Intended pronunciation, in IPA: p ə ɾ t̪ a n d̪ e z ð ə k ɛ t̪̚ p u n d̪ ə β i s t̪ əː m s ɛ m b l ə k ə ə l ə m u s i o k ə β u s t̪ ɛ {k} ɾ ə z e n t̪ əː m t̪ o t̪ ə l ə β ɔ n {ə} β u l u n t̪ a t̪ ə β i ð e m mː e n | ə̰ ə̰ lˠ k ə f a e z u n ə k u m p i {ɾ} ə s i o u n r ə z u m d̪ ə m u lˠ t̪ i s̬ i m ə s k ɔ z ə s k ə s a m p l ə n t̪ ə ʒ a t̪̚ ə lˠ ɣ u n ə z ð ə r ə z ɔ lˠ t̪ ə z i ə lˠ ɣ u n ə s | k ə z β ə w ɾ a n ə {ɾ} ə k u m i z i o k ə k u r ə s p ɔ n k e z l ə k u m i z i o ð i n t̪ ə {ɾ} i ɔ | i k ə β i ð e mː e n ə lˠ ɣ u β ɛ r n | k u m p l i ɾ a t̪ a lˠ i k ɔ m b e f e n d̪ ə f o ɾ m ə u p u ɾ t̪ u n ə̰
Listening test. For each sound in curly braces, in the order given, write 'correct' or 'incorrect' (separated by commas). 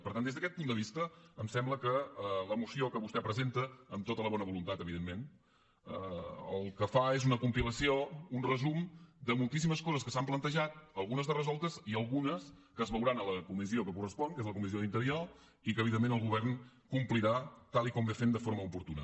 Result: incorrect, correct, incorrect, incorrect, correct